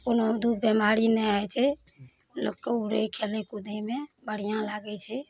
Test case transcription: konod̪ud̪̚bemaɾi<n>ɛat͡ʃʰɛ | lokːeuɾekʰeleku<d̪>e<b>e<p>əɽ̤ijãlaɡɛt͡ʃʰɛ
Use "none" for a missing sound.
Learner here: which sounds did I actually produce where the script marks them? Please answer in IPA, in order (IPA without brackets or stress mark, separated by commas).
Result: n, d̪, m, b